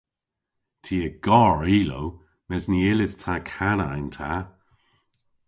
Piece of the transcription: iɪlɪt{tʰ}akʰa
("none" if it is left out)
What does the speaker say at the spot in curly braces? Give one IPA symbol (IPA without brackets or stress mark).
tʰ